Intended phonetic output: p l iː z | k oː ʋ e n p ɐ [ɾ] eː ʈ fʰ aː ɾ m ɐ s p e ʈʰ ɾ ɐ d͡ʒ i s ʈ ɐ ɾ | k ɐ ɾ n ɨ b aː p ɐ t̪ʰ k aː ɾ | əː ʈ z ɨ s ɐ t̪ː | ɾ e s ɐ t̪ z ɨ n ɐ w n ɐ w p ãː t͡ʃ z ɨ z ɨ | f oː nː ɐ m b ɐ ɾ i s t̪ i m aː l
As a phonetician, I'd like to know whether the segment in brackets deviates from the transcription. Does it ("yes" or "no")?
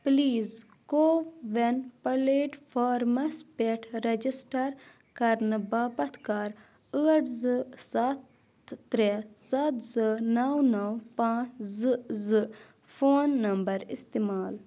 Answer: yes